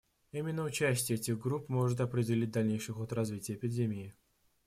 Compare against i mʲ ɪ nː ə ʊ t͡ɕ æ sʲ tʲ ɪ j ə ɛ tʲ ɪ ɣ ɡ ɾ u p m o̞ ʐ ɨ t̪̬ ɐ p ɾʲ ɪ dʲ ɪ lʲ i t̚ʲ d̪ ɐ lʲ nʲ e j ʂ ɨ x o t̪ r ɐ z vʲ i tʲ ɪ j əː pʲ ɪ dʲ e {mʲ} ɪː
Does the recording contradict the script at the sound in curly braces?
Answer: no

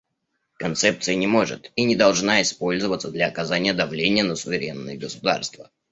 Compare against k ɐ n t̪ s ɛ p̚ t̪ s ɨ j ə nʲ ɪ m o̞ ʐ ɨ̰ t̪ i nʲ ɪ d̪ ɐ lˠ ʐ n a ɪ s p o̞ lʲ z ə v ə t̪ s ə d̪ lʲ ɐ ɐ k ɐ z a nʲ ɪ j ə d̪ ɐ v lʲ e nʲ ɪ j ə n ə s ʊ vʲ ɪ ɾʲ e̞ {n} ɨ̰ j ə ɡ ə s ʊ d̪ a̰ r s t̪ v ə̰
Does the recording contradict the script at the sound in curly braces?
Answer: yes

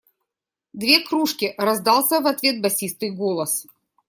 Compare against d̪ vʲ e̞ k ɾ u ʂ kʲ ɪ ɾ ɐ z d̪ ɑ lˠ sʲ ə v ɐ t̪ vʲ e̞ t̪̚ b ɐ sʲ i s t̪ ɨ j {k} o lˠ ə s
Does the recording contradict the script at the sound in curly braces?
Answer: yes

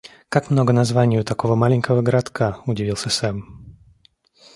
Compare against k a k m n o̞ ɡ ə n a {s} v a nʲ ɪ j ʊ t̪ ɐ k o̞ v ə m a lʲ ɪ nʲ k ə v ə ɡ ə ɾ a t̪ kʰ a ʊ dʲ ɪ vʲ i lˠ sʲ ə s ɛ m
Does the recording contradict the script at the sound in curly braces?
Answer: yes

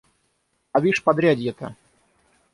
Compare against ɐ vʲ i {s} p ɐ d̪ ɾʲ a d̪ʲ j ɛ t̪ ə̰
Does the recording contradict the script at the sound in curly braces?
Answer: yes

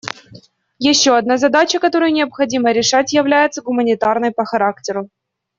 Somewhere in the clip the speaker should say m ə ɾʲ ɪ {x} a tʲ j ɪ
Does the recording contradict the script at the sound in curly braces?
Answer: yes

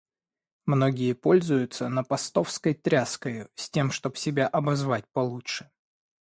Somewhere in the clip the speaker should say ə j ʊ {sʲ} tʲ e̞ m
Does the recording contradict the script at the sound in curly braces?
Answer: no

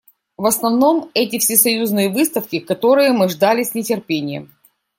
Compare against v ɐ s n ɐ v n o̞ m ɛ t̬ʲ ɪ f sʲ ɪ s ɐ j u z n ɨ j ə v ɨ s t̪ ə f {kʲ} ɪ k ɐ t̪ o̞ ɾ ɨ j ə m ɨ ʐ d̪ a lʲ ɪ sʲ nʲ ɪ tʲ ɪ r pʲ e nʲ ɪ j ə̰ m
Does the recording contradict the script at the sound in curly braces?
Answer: no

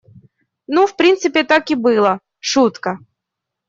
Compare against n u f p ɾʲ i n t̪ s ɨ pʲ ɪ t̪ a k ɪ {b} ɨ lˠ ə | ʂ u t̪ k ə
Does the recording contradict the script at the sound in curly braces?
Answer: no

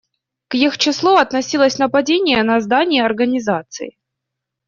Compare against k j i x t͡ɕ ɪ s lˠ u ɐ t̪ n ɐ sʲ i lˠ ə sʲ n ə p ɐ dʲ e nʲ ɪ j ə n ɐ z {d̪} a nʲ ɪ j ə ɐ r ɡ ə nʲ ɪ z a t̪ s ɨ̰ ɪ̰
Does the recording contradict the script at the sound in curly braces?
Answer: no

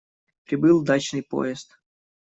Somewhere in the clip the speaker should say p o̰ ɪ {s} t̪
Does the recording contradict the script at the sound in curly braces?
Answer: no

